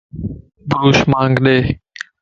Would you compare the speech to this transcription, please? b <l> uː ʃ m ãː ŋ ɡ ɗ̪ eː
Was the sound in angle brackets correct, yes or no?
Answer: no